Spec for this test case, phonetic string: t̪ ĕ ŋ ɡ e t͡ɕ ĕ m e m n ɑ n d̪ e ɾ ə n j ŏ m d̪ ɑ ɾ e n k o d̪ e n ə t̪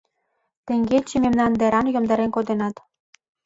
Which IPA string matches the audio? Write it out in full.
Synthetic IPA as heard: t̪ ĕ ŋ ɡ e t͡ɕ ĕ m e m n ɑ n d̪ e ɾ ɑ n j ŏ m d̪ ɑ ɾ e n k o d̪ e n ɑ t̪